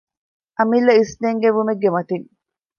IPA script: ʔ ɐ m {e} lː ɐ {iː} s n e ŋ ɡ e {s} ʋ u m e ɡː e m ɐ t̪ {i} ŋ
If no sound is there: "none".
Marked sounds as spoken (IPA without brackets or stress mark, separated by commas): i, i, none, i